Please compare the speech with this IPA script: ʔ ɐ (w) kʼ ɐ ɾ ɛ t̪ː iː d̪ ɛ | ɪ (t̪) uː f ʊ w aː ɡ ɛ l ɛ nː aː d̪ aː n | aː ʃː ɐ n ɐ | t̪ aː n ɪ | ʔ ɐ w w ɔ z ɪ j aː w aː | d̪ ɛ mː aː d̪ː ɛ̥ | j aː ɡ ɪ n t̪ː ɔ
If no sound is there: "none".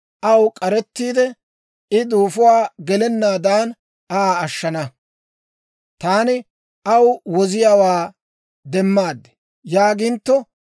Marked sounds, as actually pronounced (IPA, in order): w, d̪

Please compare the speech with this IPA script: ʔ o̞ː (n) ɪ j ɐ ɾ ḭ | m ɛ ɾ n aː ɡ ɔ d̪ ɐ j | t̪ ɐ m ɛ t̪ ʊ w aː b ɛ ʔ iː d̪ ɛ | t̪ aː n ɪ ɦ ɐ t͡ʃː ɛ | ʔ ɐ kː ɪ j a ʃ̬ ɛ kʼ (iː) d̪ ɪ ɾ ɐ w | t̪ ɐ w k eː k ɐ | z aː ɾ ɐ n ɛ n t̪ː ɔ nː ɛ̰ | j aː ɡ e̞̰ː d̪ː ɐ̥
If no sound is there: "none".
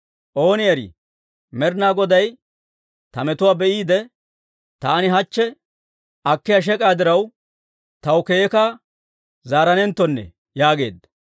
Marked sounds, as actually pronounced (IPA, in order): n, aː

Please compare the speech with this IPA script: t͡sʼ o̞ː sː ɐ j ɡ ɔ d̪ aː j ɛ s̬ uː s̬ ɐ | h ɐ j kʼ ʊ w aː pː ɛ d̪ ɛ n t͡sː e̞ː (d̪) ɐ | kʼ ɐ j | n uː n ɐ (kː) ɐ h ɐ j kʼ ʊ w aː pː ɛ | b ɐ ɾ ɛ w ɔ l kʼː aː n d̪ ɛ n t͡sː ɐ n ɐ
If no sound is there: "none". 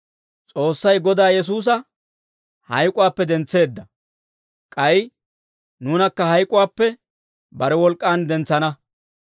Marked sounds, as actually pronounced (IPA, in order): d̪ː, kː

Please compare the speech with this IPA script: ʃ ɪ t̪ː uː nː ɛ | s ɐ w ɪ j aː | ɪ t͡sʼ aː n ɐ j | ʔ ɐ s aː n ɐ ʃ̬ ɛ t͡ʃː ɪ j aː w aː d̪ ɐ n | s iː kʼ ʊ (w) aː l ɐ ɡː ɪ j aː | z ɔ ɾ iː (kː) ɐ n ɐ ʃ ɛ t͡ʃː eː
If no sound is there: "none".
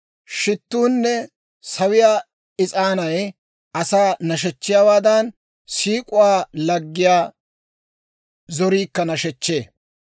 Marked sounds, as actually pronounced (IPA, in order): w, kː

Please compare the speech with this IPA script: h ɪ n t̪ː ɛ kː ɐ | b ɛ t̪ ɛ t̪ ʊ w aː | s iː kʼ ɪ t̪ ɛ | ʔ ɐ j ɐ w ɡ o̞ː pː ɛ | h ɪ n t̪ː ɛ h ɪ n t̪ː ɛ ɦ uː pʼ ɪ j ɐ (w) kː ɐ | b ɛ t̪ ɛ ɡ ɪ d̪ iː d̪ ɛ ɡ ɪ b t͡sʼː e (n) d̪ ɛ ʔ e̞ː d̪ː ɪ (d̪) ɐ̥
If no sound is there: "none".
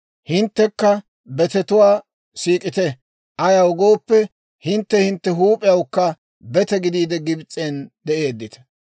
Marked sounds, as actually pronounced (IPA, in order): w, n, t̪

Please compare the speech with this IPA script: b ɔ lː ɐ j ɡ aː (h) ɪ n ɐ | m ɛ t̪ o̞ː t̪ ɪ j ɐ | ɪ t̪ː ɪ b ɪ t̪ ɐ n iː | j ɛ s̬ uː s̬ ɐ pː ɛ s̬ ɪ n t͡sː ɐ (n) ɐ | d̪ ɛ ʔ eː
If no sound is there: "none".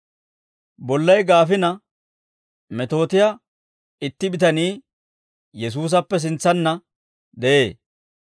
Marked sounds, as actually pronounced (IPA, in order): f, nː

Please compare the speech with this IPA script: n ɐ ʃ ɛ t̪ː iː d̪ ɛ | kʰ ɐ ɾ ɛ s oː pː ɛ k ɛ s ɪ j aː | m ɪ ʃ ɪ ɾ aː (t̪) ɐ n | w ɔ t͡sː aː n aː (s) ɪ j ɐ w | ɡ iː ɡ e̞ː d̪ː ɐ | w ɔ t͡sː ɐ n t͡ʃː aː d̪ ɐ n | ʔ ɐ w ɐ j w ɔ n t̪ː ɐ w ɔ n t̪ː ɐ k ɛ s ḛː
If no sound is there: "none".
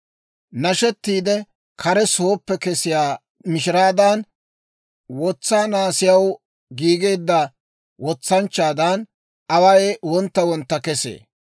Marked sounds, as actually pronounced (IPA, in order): d̪, s

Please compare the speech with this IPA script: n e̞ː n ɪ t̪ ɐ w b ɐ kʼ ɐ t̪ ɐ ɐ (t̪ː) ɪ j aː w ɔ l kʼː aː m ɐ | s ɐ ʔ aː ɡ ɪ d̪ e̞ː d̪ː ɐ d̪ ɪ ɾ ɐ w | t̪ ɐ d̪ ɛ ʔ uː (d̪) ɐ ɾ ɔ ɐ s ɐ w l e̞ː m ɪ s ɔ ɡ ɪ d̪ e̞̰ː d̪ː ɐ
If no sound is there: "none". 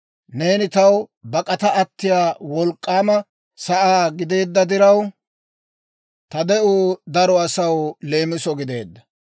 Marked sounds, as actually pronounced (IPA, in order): t̪ː, d̪

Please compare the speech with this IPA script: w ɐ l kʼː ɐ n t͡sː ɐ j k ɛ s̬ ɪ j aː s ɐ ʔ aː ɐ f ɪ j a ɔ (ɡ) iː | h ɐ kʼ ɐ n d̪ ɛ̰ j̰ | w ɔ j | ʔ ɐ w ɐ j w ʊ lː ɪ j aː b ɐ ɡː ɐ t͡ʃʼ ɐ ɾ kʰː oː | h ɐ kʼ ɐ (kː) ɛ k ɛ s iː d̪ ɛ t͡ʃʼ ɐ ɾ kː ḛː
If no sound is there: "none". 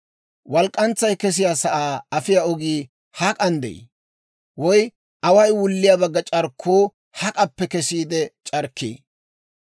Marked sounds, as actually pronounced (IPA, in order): ɡ, pː

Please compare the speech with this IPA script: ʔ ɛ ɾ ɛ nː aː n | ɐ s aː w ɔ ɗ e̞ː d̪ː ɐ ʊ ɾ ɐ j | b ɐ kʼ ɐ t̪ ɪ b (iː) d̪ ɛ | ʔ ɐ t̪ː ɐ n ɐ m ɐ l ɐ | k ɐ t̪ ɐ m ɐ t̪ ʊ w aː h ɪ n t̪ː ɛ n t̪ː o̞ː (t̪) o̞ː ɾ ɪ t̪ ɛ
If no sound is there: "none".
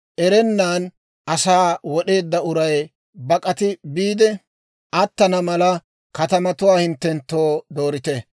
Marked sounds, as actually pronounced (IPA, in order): iː, d̪

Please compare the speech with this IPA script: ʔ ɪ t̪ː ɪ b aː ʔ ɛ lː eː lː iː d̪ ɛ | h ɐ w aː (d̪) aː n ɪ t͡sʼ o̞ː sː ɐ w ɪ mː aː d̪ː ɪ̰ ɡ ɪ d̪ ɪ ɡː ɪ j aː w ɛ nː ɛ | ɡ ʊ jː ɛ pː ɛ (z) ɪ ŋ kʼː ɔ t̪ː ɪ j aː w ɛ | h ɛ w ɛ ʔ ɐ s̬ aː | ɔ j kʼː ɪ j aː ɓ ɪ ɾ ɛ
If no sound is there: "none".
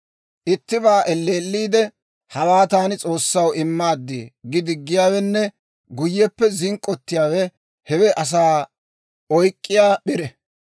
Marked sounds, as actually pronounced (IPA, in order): t̪, z

